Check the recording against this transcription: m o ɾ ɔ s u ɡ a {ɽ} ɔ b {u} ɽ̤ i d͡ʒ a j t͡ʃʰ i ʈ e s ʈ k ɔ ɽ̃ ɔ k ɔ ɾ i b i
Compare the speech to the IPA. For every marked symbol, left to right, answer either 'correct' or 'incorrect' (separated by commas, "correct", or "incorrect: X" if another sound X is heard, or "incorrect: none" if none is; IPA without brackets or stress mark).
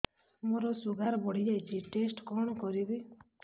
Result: incorrect: ɾ, incorrect: ɔ